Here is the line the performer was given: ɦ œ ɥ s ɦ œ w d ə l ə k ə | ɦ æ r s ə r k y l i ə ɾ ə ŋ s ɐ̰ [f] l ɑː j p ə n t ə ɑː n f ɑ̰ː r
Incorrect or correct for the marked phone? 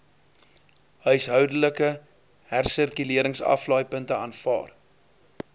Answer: correct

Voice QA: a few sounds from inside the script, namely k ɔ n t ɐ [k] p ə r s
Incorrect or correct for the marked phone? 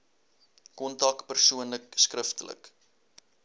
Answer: correct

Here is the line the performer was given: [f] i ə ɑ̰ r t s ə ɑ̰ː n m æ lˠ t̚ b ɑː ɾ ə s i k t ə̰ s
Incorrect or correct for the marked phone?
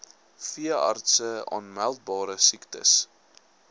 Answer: correct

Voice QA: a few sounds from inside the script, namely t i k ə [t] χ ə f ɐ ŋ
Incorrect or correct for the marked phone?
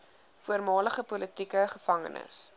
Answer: incorrect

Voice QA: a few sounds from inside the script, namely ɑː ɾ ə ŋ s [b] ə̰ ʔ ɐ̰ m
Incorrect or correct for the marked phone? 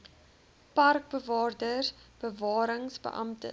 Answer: correct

